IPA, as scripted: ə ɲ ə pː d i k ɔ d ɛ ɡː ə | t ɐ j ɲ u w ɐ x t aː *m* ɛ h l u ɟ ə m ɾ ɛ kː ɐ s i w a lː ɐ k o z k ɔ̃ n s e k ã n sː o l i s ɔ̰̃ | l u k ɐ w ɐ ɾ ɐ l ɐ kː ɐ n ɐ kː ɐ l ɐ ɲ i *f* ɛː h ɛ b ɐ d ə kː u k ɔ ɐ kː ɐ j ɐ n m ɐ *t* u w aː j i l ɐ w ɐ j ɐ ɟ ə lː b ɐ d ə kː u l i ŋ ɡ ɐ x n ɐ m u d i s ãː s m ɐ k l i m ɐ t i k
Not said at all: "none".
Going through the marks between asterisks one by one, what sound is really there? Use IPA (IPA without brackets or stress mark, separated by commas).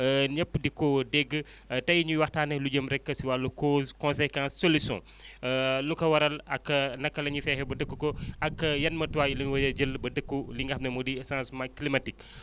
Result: n, f, t